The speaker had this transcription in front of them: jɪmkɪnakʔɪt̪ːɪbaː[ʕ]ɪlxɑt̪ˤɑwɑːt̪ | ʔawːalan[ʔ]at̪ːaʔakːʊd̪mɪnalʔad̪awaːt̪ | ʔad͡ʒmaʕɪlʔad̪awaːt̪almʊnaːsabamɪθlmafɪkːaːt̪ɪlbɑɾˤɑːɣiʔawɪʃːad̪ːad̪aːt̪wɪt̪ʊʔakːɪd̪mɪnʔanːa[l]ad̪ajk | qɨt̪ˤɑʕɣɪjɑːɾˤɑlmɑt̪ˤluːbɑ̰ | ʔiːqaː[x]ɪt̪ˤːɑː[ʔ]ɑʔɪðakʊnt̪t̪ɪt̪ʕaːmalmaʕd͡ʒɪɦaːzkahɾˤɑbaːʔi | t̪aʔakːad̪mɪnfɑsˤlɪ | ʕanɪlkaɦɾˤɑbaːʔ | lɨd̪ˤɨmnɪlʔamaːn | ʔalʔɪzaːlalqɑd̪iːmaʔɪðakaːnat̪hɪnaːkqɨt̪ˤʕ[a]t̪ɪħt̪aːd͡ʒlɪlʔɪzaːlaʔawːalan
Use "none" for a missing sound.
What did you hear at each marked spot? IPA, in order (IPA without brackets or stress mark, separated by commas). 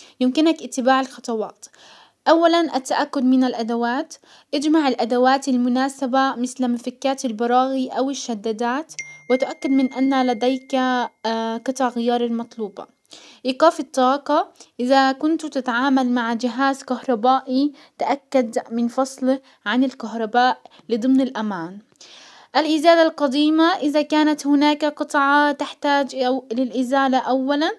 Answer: ʕ, ʔ, l, f, q, ɑ